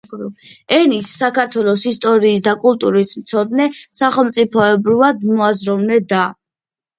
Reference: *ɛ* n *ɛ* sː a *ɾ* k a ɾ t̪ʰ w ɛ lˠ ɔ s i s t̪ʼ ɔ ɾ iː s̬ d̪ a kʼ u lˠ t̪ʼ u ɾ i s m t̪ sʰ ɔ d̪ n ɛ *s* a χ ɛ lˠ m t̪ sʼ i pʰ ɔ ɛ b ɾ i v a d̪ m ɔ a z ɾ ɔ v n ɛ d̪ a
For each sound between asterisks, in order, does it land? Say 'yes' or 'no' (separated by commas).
yes, no, no, yes